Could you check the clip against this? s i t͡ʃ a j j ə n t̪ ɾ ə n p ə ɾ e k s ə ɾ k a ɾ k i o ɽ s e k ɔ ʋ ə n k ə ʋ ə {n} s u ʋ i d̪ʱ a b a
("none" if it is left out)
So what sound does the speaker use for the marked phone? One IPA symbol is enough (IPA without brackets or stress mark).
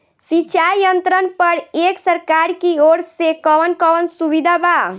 n